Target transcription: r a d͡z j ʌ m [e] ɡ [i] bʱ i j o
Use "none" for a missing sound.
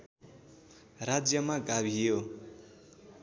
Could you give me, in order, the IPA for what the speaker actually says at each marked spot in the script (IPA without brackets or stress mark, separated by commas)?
a, a